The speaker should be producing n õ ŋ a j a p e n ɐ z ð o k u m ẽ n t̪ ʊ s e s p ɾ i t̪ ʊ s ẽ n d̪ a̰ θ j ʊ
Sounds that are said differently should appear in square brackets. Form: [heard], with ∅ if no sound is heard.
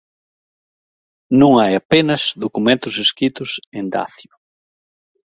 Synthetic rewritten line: n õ ŋ a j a p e n ɐ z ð o k u m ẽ n t̪ ʊ s e s [k] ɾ i t̪ ʊ s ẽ n d̪ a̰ θ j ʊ